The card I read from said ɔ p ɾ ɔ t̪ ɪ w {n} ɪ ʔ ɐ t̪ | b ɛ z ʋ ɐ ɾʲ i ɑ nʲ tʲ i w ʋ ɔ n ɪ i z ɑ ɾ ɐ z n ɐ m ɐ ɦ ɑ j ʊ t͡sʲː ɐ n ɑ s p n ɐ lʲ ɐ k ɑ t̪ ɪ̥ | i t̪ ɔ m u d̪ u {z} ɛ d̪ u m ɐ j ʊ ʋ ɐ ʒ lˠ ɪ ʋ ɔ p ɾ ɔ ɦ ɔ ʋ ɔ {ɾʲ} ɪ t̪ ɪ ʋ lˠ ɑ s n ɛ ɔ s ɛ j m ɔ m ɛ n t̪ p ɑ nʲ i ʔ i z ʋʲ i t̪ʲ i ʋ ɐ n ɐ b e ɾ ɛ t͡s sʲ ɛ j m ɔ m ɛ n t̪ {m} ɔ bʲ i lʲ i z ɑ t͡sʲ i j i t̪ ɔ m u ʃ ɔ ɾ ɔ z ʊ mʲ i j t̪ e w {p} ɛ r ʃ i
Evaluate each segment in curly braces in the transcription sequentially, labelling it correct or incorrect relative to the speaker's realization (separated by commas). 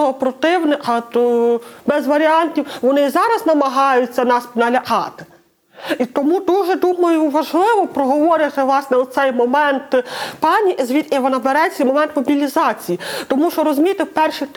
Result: correct, incorrect, correct, correct, correct